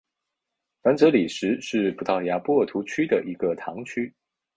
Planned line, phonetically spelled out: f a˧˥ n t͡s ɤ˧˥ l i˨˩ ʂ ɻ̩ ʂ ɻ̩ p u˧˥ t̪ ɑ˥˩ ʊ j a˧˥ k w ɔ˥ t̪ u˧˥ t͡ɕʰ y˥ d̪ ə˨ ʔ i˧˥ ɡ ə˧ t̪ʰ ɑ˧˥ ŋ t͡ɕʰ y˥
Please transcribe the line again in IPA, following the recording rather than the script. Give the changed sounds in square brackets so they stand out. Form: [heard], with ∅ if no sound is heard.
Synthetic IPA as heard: f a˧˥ n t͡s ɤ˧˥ l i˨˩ ʂ ɻ̩ ʂ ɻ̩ p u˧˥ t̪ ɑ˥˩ ʊ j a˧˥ [p] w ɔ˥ [t̪ʰ] u˧˥ t͡ɕʰ y˥ d̪ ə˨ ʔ i˧˥ ɡ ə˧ t̪ʰ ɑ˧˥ ŋ t͡ɕʰ y˥